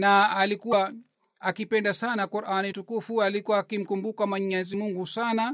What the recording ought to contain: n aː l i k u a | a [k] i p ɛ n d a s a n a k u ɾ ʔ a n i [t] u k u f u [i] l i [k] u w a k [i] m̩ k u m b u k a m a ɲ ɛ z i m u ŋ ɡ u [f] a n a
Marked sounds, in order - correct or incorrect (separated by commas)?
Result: correct, correct, incorrect, correct, correct, incorrect